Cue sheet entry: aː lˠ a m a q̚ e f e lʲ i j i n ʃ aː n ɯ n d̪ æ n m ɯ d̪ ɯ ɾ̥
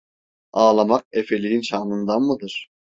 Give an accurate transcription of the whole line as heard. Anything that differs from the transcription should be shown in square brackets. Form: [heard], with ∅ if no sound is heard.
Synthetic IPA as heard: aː lˠ a m a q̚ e f e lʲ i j i n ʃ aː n ɯ n d̪ [a] n m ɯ d̪ ɯ ɾ̥